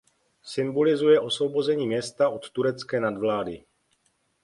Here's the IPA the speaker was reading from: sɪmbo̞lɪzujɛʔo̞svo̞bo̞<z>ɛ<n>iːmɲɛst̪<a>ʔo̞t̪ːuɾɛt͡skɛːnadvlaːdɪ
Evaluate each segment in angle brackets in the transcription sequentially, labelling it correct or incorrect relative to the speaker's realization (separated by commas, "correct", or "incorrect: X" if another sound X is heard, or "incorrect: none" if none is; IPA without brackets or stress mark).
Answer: correct, incorrect: ɲ, correct